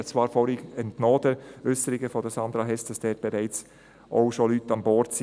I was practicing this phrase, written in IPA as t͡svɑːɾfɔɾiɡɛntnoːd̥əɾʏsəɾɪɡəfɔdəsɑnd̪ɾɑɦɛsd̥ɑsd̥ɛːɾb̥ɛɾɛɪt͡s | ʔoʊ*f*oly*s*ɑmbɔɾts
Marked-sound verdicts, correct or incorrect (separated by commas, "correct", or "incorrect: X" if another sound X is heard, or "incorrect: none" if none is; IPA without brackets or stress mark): incorrect: ʃ, incorrect: t